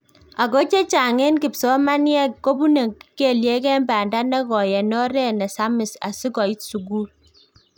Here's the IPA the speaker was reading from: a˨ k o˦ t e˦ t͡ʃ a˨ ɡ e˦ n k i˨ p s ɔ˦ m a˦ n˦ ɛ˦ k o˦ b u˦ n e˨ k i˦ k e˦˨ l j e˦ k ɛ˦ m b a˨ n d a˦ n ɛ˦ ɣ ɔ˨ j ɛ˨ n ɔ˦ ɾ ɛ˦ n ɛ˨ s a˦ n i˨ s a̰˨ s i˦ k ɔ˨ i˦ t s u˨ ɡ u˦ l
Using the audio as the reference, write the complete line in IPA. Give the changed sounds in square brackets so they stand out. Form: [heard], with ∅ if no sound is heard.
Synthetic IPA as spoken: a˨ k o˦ [t͡ʃ] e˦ t͡ʃ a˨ [ŋ] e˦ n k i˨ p s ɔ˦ m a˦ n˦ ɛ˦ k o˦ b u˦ n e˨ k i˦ k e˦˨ l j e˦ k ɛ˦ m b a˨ n d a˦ n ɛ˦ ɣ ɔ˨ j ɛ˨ n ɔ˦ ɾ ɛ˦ n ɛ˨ s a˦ [m] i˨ s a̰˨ s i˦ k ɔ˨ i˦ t s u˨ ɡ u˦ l